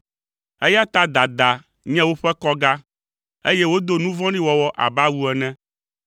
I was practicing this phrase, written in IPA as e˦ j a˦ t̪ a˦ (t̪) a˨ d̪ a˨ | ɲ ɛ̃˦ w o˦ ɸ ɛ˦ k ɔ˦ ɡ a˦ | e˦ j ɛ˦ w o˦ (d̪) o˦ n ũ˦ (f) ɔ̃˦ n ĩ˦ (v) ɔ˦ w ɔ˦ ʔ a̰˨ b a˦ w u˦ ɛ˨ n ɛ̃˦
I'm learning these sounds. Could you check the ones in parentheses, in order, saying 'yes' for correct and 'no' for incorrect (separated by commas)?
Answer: no, yes, no, no